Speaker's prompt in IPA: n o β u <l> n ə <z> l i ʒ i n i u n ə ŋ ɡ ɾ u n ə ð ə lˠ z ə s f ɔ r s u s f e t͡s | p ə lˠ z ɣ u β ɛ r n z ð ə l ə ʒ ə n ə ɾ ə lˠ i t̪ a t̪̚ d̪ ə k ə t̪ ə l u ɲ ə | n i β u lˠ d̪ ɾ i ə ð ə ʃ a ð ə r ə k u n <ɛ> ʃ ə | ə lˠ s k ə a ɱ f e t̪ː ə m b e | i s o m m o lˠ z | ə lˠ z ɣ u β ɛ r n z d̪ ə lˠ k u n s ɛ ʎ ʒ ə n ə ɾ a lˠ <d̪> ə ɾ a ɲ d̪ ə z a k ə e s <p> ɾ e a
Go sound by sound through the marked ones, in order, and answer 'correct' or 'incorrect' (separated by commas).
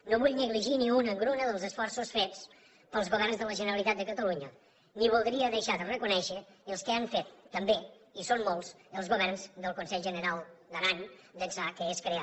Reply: incorrect, incorrect, correct, correct, incorrect